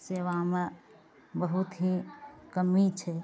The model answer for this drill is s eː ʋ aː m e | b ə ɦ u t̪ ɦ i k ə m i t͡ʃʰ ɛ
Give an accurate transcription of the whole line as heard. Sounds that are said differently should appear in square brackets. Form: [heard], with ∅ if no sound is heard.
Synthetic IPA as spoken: s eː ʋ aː m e | b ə ɦ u t̪ ɦ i k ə m i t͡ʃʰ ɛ